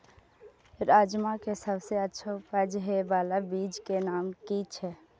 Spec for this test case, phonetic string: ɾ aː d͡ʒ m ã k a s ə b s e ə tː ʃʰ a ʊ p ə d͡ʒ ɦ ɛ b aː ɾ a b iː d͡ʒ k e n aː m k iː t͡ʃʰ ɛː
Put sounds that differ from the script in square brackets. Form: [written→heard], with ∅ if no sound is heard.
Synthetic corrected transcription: ɾ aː d͡ʒ m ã k [a→e] s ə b s e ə tː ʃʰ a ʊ p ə d͡ʒ ɦ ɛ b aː [ɾ→l] a b iː d͡ʒ k e n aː m k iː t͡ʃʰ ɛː